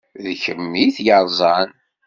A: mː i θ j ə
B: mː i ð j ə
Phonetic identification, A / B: A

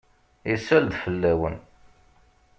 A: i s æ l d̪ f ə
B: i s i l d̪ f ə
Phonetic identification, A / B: A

